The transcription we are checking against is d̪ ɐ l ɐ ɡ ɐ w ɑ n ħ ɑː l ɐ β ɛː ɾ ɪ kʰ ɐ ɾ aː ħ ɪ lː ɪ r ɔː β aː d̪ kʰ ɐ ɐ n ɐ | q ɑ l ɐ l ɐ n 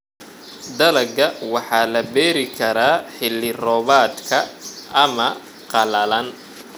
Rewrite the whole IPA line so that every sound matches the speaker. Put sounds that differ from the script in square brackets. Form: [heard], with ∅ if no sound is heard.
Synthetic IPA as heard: d̪ ɐ l ɐ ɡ ɐ w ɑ [∅] ħ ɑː l ɐ [b] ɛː ɾ ɪ kʰ ɐ ɾ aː ħ ɪ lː ɪ r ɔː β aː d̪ kʰ ɐ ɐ [m] ɐ | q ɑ l ɐ l ɐ n